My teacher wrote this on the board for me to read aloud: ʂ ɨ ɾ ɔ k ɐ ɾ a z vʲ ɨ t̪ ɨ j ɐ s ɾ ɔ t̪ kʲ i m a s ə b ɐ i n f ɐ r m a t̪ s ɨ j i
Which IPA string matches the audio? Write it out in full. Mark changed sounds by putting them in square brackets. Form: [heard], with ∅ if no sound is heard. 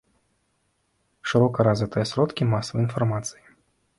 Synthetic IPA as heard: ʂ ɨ ɾ ɔ k ɐ ɾ a z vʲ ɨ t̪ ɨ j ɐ s ɾ ɔ t̪ kʲ i m a s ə [v] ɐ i n f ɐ r m a t̪ s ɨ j i